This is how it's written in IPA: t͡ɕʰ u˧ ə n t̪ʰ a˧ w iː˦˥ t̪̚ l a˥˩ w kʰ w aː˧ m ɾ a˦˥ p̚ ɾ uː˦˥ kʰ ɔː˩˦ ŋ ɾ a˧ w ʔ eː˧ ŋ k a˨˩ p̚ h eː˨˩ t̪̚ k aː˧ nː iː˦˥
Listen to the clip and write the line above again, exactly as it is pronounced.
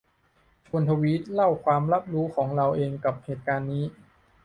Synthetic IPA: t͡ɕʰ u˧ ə n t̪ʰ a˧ w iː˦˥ t̪̚ l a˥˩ w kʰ w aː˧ m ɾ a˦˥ p̚ ɾ uː˦˥ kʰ ɔː˩˦ ŋ ɾ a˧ w ʔ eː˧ ŋ k a˨˩ p̚ h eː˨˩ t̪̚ k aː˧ nː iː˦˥